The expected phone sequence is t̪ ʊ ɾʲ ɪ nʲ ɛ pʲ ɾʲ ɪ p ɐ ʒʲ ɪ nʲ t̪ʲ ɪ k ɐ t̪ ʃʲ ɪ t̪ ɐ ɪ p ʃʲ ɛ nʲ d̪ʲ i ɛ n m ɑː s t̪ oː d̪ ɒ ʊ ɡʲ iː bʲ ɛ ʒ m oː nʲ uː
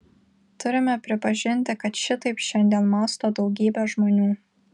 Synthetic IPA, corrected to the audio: t̪ ʊ ɾʲ ɪ mʲ ɛ pʲ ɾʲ ɪ p ɐ ʒʲ ɪ nʲ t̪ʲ ɪ k ɐ t̪ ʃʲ ɪ t̪ ɐ ɪ p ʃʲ ɛ nʲ d̪ʲ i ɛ n m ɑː s t̪ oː d̪ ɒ ʊ ɡʲ iː bʲ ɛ ʒ m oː nʲ uː